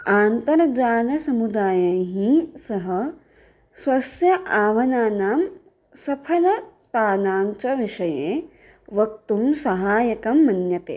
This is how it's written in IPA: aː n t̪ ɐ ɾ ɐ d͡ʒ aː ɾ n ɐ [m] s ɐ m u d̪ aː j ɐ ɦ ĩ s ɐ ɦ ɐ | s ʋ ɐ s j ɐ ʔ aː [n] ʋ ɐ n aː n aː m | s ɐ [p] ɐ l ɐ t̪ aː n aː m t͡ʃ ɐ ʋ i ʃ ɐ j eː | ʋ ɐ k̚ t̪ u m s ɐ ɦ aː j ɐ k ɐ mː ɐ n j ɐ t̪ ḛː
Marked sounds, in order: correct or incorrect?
incorrect, incorrect, incorrect

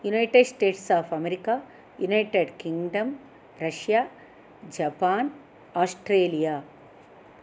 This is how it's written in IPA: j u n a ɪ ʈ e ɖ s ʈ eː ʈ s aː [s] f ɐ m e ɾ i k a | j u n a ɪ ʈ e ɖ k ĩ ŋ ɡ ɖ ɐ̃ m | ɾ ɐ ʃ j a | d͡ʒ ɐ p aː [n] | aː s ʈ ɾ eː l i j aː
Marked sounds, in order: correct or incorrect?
incorrect, correct

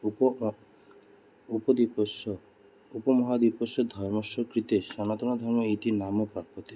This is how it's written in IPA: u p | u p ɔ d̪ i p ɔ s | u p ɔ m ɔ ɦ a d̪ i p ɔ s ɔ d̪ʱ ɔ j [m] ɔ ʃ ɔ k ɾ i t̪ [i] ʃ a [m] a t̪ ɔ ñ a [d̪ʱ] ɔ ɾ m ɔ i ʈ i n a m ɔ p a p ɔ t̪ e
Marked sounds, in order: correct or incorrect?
correct, incorrect, incorrect, correct

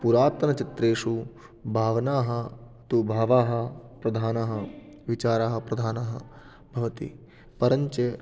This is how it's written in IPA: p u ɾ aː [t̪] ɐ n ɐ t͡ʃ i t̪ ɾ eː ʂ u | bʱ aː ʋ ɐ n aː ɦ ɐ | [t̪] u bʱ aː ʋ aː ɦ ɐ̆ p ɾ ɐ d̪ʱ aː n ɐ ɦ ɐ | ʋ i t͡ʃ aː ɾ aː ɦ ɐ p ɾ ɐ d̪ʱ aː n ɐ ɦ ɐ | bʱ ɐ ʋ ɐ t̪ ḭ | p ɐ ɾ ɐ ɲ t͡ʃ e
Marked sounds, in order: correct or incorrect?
correct, correct

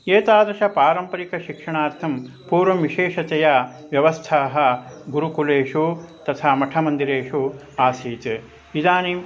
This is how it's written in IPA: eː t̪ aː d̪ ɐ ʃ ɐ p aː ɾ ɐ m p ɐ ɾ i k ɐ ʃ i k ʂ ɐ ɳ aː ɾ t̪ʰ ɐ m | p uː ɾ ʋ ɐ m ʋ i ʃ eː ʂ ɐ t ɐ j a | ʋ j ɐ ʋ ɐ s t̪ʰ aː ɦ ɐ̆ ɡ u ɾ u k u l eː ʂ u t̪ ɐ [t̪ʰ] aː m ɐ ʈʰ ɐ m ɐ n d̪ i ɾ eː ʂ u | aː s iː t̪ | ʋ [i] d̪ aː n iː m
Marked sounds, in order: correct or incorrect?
correct, correct

